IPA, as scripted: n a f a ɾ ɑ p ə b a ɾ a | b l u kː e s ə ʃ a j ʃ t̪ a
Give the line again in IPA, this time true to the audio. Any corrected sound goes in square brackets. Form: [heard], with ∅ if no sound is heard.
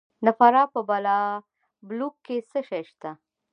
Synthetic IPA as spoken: n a f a ɾ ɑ p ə b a [l] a | b l u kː e s ə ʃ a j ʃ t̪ a